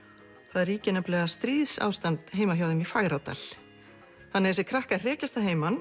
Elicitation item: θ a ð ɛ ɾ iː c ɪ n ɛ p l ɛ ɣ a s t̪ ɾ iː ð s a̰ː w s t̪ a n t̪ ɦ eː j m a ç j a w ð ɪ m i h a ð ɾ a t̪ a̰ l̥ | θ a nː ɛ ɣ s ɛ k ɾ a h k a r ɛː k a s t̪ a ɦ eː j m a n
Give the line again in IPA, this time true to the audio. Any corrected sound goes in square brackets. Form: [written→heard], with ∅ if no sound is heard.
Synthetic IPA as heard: θ a ð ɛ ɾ iː c ɪ n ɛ p l ɛ ɣ a s t̪ ɾ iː ð s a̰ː w s t̪ a n t̪ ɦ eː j m a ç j a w ð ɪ m i [h→f] a [ð→ɣ] ɾ a t̪ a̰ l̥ | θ a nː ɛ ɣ s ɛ [k→kʰ] ɾ a h k a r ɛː [k→c] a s t̪ a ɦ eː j m a n